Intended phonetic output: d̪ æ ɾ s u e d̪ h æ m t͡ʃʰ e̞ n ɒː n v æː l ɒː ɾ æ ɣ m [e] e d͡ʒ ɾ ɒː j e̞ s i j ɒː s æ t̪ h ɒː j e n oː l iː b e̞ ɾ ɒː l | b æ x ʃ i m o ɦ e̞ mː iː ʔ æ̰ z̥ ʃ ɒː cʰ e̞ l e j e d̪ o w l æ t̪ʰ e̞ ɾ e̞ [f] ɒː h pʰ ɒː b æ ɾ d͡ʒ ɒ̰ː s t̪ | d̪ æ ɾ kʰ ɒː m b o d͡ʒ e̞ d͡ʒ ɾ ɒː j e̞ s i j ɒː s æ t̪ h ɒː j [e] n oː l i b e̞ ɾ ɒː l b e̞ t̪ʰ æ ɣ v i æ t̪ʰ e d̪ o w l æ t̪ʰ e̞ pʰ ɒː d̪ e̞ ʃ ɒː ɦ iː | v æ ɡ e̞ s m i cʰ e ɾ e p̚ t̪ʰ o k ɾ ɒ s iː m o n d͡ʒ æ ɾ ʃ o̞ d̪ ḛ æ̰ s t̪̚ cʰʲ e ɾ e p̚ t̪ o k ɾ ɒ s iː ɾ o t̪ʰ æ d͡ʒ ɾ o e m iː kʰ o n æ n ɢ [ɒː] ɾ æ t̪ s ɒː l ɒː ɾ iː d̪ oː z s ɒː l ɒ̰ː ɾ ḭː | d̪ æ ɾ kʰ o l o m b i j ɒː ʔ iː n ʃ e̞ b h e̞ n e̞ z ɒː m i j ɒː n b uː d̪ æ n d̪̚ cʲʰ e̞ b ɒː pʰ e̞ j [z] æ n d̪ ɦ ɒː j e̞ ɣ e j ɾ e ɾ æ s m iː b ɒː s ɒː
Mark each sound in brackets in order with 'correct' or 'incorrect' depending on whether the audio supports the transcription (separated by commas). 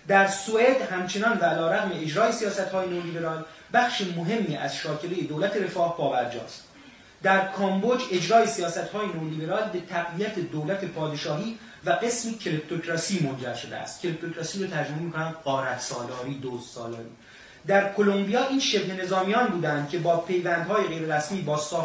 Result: correct, correct, correct, correct, incorrect